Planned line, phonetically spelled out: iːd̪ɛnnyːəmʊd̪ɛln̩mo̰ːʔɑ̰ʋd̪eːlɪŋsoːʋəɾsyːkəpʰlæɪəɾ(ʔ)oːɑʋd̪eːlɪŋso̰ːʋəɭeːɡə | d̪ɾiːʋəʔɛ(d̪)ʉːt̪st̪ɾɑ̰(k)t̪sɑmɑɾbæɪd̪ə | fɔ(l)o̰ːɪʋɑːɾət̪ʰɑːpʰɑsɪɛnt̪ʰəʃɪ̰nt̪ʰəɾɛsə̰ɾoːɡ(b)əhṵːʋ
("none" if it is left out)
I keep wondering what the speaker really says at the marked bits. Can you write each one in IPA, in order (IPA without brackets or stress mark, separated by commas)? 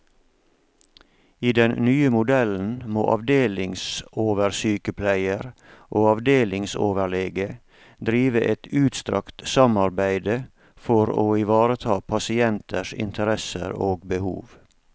ʔ, t̪, k, ɾ, b